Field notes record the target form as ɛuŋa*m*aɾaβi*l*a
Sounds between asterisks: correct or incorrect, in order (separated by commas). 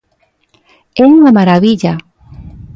correct, incorrect